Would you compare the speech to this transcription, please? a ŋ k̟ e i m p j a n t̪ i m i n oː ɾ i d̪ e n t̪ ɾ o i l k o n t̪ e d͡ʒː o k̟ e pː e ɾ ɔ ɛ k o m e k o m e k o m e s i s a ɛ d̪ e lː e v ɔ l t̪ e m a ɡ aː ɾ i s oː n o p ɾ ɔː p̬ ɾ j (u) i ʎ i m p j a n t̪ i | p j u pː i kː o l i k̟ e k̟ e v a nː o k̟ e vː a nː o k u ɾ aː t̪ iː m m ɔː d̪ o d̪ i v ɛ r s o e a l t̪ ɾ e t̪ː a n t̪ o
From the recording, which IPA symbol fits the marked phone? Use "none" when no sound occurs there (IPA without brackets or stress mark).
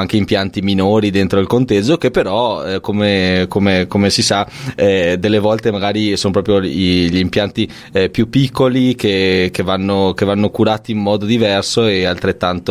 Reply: o